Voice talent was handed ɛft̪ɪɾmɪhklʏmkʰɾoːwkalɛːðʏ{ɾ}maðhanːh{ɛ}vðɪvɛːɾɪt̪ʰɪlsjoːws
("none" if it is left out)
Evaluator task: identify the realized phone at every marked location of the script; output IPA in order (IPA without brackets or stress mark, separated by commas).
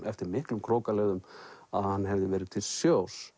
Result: none, ɛ